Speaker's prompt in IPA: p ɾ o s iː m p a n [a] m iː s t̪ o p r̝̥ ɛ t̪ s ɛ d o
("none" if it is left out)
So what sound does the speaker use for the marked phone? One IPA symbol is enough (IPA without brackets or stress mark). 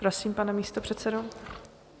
ɛ